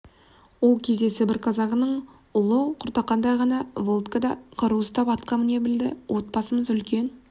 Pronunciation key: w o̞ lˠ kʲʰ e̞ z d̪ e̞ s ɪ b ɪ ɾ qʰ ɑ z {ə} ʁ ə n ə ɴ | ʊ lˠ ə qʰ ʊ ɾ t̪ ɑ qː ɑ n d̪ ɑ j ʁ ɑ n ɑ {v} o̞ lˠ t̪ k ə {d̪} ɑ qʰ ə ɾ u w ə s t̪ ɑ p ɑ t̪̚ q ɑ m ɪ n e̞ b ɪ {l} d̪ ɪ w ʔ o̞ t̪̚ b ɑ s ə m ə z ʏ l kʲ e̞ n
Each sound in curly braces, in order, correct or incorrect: incorrect, correct, correct, correct

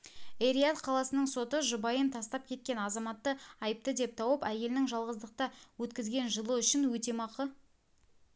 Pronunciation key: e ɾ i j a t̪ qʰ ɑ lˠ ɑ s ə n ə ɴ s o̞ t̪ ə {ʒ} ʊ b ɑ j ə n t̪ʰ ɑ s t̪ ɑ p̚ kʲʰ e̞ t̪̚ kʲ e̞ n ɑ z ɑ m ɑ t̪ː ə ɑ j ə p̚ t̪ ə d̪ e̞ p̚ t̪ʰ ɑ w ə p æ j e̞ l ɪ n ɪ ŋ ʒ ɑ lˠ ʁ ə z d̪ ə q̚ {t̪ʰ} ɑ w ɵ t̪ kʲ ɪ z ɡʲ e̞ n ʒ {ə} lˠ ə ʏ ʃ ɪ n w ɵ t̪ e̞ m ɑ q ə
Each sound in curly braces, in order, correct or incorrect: correct, incorrect, correct

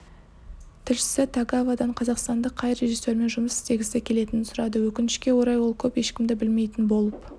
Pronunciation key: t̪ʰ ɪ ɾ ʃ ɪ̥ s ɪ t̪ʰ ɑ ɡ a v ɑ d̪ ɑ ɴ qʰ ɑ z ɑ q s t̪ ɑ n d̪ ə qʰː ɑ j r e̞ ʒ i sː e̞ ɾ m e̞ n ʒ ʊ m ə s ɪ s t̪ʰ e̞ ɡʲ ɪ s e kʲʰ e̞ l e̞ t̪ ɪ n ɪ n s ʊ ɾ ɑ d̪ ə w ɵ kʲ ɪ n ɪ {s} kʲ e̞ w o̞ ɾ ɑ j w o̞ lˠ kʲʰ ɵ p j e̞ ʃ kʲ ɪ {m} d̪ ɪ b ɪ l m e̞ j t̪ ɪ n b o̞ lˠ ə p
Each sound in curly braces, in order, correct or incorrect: incorrect, correct

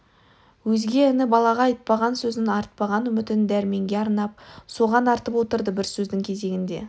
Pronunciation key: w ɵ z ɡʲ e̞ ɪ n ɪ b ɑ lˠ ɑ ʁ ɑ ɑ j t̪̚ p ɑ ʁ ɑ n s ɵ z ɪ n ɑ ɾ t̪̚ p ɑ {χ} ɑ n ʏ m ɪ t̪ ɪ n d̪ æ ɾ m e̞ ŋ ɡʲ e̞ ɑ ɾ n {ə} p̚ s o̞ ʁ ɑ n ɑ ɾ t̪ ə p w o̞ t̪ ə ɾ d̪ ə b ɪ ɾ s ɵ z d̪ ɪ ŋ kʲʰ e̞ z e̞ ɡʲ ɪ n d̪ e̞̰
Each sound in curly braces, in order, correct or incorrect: incorrect, incorrect

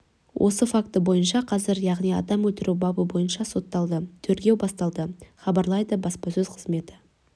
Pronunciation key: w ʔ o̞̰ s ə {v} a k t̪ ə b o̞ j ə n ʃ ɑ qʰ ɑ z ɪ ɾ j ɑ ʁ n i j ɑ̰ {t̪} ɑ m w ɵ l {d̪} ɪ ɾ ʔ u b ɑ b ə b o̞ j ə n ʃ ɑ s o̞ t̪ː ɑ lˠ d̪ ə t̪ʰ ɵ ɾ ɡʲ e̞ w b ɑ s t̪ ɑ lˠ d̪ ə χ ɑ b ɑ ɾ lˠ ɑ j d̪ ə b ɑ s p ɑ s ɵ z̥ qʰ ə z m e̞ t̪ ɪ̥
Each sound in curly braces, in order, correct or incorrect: incorrect, incorrect, incorrect

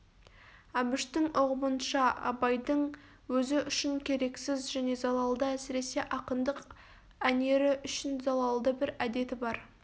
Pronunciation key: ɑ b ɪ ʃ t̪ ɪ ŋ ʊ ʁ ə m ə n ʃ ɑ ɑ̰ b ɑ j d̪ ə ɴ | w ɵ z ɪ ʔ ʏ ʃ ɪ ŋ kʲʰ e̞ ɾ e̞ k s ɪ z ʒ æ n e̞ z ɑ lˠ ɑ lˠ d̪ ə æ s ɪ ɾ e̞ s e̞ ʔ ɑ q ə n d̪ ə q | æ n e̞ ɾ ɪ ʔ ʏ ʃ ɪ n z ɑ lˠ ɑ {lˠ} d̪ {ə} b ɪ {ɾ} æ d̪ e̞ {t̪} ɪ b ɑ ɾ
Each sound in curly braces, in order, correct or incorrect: correct, correct, correct, correct

